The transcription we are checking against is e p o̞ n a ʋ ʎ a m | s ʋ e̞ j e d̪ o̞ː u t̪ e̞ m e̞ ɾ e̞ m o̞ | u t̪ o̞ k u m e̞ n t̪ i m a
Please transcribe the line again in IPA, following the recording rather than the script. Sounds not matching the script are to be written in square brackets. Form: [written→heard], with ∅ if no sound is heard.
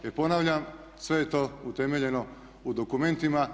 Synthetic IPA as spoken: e p o̞ n a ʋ ʎ a m | s ʋ e̞ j e [d̪→t̪] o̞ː u t̪ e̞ m e̞ [ɾ→ʎ] e̞ [m→n] o̞ | u [t̪→d̪] o̞ k u m e̞ n t̪ i m a